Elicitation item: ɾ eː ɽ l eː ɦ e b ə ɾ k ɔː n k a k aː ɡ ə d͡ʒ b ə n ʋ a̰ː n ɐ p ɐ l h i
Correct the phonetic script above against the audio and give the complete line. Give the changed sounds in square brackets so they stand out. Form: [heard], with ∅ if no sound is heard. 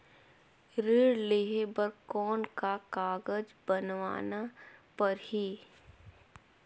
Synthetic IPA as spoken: ɾ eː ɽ l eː ɦ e b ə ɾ k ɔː n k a k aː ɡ ə d͡ʒ b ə n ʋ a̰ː n [a] p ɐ [ɾ] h i